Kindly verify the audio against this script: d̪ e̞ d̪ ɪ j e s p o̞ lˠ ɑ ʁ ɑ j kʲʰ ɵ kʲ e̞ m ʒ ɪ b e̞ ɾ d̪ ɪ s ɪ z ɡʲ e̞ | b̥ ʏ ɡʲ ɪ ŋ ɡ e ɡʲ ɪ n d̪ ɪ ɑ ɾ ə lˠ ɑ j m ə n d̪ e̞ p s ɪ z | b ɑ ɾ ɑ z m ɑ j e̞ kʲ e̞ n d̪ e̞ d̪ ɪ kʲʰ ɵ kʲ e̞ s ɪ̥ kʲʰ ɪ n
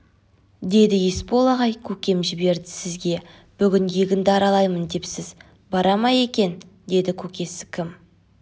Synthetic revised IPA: d̪ e̞ d̪ ɪ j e s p o̞ lˠ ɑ ʁ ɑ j kʲʰ ɵ kʲ e̞ m ʒ ɪ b e̞ ɾ d̪ ɪ s ɪ z ɡʲ e̞ | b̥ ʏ ɡʲ ɪ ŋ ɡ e ɡʲ ɪ n d̪ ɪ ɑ ɾ ɑ lˠ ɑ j m ə n d̪ e̞ p s ɪ z | b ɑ ɾ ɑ m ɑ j e̞ kʲ e̞ n d̪ e̞ d̪ ɪ kʲʰ ɵ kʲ e̞ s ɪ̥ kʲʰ ɪ m